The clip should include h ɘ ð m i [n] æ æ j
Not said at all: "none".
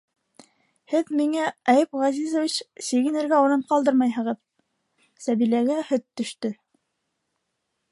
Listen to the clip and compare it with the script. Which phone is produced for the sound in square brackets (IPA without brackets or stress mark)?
ŋ